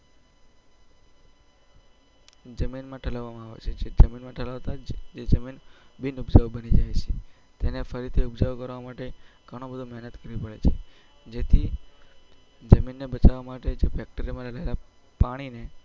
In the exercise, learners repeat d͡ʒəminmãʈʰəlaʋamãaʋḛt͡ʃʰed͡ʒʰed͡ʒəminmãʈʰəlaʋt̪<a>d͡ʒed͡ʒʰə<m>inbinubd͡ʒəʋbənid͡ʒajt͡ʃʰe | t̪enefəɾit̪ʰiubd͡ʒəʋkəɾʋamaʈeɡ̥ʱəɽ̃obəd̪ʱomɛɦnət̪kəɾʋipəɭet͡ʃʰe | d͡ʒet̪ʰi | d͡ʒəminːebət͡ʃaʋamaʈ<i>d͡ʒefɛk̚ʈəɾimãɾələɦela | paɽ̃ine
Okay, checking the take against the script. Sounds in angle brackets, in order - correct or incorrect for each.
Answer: correct, correct, incorrect: e

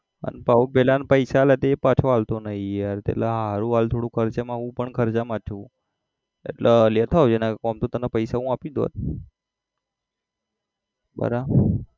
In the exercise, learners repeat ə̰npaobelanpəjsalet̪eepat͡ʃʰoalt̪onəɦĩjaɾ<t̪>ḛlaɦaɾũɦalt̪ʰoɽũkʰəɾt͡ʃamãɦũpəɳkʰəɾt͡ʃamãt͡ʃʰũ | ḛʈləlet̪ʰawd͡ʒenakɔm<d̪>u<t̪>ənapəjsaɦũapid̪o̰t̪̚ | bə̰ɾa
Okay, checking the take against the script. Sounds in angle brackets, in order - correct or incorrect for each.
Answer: correct, incorrect: t̪, correct

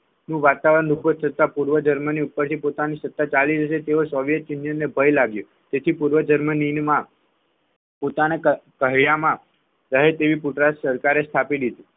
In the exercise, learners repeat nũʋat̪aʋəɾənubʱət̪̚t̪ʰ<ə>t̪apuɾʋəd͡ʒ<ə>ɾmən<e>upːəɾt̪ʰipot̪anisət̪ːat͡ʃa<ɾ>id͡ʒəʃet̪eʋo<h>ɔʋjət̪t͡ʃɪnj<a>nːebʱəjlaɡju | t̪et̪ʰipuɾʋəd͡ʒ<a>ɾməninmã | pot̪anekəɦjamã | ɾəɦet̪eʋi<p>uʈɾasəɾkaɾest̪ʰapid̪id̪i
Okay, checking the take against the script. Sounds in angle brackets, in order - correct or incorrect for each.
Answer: correct, correct, incorrect: i, incorrect: l, incorrect: s, incorrect: ə, incorrect: ə, correct

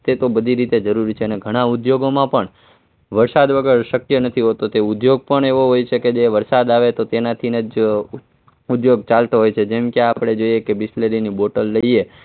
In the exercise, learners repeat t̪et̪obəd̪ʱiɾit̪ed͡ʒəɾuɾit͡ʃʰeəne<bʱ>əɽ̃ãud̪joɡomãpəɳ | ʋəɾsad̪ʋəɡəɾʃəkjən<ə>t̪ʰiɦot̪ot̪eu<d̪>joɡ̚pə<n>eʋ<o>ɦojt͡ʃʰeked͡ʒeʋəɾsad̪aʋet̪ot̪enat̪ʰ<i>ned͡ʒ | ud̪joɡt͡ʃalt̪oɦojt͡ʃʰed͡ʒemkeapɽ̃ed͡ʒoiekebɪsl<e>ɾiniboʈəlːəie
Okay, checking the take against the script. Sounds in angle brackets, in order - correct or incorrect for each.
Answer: incorrect: ɡʱ, correct, correct, incorrect: ɳ, correct, correct, correct

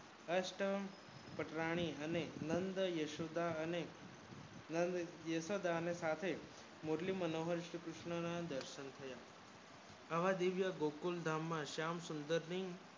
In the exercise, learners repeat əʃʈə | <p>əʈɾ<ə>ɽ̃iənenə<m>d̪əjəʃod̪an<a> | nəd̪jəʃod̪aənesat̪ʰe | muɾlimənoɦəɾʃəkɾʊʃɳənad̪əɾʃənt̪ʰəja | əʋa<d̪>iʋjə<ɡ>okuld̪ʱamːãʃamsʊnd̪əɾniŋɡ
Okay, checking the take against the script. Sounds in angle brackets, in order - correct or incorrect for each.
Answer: correct, incorrect: a, incorrect: n, incorrect: e, correct, correct

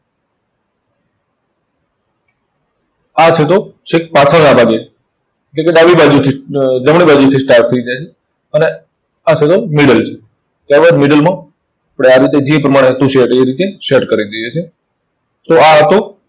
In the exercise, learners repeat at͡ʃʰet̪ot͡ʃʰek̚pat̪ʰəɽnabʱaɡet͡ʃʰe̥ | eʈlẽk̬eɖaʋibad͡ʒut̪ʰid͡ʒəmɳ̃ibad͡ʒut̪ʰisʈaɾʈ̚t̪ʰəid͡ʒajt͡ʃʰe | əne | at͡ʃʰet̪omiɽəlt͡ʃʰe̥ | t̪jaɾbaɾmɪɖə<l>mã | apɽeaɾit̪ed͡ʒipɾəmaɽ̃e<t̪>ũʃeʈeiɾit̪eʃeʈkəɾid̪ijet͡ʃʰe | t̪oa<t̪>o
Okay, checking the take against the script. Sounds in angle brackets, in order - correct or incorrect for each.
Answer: correct, correct, correct

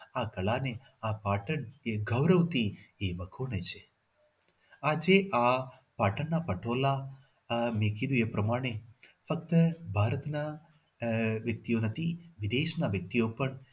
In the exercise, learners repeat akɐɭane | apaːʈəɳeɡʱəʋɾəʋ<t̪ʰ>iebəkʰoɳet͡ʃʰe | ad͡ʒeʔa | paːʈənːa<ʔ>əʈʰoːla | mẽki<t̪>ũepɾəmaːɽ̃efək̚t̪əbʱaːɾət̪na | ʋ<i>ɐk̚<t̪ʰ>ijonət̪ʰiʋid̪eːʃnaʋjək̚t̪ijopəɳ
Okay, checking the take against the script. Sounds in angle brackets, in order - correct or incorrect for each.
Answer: incorrect: t̪, incorrect: p, incorrect: d̪, incorrect: j, incorrect: t̪

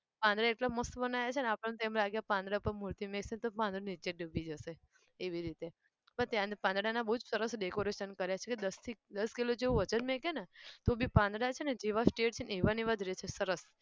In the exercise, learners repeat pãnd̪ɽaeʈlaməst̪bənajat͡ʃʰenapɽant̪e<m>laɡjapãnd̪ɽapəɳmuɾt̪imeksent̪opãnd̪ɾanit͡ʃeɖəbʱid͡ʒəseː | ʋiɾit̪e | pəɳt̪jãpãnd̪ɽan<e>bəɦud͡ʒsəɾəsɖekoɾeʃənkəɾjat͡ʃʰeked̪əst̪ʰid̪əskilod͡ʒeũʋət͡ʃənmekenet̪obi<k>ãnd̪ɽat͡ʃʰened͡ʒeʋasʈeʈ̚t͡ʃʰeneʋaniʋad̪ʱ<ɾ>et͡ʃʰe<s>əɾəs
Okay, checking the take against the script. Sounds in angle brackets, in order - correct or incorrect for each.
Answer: correct, incorrect: a, incorrect: p, correct, correct

